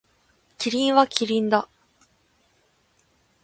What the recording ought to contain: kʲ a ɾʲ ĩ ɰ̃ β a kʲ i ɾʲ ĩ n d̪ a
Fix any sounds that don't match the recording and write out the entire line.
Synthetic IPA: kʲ i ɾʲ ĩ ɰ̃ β a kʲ i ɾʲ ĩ n d̪ a